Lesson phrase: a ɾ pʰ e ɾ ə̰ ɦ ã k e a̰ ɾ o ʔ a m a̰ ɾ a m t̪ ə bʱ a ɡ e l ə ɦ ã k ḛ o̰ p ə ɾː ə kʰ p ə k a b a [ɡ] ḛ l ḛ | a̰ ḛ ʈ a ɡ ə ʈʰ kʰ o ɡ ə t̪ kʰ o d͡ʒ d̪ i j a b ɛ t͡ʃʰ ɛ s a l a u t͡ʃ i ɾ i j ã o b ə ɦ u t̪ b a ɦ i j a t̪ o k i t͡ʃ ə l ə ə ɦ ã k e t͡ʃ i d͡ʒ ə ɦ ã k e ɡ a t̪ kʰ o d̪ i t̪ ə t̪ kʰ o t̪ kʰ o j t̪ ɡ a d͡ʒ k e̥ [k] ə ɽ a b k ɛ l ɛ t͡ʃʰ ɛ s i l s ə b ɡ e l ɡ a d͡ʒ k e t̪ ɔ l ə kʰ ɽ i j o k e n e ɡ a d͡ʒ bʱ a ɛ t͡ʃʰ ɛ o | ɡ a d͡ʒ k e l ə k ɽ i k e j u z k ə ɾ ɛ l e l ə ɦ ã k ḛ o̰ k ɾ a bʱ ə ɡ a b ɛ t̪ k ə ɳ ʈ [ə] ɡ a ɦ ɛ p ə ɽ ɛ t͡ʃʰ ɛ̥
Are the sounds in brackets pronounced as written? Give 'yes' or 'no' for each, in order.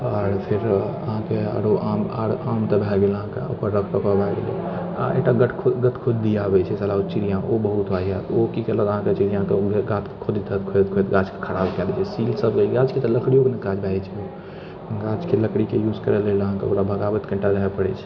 yes, no, no

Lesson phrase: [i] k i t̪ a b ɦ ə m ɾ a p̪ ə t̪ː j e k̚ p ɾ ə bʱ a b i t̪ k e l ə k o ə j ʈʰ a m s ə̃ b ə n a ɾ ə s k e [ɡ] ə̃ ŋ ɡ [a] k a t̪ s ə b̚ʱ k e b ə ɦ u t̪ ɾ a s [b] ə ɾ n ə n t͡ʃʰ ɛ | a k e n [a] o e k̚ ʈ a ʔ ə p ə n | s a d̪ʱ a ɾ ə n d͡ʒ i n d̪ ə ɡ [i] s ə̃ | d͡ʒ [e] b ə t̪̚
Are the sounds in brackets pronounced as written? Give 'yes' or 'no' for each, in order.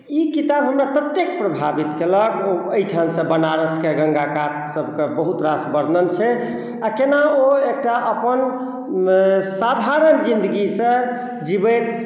yes, yes, yes, yes, yes, yes, no

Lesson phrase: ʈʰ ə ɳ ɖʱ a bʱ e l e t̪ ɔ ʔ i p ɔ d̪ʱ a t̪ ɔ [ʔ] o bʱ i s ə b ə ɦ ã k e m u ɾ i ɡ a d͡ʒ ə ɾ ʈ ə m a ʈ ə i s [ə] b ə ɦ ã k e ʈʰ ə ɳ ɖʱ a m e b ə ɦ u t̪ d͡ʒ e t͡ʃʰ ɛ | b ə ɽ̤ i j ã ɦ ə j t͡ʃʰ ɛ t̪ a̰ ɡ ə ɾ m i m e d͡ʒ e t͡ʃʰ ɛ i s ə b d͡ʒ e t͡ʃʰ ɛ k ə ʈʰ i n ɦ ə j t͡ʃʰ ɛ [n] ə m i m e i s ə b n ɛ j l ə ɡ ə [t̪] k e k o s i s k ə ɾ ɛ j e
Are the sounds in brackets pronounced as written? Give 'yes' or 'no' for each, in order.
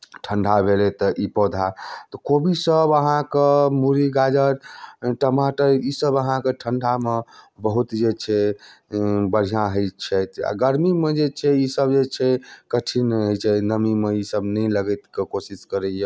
no, yes, yes, yes

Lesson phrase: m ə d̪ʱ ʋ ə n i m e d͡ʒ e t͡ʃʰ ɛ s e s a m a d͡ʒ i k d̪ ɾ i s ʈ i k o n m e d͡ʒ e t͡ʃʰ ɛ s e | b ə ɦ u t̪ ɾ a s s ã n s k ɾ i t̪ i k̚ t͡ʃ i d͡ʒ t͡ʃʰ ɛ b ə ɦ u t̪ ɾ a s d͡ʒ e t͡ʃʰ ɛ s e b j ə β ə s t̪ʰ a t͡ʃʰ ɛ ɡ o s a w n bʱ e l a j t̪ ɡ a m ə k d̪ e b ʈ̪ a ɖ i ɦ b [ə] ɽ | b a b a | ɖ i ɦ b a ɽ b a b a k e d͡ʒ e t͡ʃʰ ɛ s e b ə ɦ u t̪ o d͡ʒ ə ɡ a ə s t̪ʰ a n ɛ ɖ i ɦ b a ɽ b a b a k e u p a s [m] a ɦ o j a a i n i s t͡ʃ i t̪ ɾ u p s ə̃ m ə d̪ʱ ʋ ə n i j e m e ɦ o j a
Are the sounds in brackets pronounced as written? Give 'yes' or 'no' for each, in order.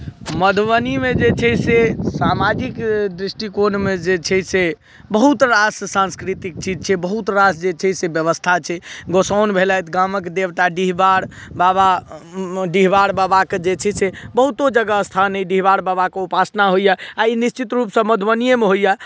no, no

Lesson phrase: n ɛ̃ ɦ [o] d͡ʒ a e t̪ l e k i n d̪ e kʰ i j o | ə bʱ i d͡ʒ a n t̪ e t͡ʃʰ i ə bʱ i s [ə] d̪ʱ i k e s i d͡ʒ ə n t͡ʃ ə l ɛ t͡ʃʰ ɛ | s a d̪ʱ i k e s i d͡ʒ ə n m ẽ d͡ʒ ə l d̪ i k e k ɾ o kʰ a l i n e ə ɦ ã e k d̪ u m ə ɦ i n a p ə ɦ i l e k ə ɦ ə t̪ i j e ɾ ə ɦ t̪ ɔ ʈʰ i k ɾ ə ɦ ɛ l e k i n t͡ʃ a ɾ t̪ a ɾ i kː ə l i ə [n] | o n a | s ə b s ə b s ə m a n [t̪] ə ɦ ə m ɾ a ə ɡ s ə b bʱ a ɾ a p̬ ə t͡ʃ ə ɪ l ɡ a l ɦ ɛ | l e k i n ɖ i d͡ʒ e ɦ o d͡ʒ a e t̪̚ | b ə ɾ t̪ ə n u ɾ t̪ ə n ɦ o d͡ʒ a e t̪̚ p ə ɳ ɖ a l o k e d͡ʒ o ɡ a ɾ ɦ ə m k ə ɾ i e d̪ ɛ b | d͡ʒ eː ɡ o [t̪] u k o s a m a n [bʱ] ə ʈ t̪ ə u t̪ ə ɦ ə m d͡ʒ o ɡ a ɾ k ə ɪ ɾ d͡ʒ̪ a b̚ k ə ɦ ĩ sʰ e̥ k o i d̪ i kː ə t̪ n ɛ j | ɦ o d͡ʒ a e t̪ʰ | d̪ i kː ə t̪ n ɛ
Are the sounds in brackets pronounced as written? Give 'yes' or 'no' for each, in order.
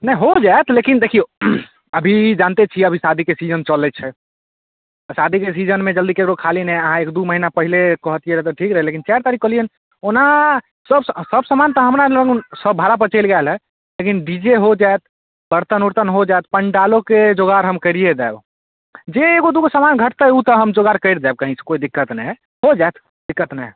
yes, no, yes, yes, no, no

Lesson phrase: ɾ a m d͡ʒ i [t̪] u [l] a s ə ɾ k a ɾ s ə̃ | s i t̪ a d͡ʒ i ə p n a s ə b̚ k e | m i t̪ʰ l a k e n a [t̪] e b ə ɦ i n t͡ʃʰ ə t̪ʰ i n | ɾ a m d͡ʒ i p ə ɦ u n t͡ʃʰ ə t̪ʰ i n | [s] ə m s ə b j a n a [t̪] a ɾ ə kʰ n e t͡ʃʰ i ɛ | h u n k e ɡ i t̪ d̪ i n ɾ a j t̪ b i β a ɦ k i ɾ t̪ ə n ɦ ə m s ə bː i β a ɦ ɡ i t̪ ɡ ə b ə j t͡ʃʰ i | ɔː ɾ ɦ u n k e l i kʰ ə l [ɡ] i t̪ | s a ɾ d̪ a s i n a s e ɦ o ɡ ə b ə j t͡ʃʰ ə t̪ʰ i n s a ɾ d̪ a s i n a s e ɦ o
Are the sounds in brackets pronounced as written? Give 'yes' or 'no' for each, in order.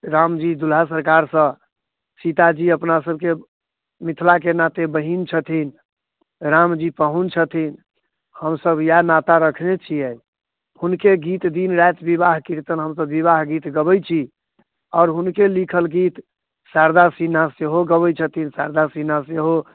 no, yes, yes, no, yes, yes

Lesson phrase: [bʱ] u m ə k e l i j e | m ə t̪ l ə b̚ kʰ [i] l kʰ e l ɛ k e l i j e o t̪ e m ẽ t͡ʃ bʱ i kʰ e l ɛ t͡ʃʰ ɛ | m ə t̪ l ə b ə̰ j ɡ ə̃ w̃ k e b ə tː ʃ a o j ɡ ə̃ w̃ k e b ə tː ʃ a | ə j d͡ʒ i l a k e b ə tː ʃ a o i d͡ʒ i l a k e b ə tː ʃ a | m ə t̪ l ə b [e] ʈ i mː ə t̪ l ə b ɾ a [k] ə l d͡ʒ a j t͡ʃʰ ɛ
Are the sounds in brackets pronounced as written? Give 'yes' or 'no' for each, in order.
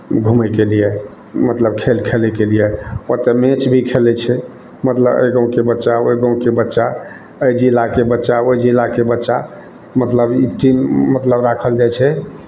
no, no, no, no

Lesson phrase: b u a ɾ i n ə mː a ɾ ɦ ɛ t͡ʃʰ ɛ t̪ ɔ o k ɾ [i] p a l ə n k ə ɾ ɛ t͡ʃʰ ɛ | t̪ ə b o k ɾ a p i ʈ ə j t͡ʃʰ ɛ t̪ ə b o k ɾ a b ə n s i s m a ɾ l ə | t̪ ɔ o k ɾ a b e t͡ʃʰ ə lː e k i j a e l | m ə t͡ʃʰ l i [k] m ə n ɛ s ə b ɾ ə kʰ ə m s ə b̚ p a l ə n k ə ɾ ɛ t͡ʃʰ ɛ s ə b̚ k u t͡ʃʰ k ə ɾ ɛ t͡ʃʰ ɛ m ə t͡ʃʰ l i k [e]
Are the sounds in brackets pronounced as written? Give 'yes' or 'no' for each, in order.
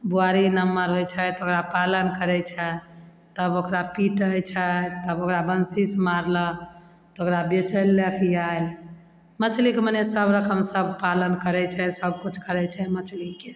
no, yes, yes

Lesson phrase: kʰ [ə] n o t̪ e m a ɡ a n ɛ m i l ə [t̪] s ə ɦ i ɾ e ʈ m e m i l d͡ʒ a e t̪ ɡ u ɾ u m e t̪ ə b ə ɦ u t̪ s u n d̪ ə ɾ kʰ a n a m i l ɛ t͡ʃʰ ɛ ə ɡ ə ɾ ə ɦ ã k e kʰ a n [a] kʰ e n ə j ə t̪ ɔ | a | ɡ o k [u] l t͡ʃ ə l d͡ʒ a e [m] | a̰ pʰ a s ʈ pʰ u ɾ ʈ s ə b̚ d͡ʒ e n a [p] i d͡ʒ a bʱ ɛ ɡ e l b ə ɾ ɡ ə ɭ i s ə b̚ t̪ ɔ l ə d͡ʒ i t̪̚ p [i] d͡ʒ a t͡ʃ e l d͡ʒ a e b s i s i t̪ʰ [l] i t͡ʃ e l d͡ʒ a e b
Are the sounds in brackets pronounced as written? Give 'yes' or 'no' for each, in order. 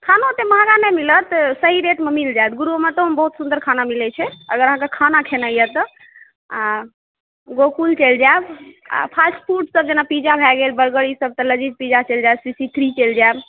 no, yes, yes, yes, no, yes, yes, no

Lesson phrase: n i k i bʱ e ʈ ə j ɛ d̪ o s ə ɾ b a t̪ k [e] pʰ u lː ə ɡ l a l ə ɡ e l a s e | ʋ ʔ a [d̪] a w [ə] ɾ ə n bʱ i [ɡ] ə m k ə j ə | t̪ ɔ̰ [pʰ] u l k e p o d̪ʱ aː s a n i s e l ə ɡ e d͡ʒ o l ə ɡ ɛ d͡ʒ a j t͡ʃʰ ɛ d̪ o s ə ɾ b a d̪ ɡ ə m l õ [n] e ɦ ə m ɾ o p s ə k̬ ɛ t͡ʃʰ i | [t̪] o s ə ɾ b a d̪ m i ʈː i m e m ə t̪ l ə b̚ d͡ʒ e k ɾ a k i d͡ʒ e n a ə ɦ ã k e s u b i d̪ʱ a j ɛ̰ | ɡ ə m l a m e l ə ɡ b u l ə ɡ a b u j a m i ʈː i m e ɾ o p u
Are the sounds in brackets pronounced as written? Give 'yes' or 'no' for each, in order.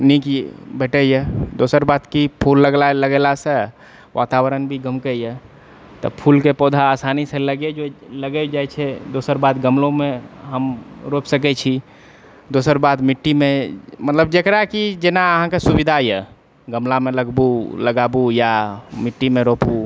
no, no, yes, yes, yes, no, no

